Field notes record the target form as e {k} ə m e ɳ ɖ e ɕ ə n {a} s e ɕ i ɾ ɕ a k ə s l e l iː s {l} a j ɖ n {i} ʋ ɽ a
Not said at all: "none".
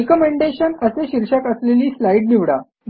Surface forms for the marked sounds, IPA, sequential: k, ə, l, i

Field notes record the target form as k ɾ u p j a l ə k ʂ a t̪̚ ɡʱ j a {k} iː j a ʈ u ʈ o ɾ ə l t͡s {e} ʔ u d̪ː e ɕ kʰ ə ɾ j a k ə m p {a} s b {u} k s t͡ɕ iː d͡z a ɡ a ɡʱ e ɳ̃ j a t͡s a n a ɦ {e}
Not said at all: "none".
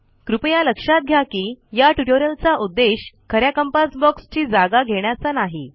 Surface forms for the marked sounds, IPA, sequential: k, a, a, ɔ, i

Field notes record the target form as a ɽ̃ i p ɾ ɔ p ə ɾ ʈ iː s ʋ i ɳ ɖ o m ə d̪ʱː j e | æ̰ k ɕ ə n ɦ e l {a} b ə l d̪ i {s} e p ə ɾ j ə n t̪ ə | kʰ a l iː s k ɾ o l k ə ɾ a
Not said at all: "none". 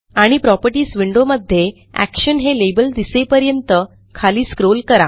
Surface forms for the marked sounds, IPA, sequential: e, s

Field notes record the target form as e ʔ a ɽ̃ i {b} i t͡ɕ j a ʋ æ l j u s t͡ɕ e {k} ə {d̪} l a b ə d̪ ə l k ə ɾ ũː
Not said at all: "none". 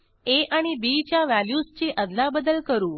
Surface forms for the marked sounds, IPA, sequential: b, ʔ, d̪

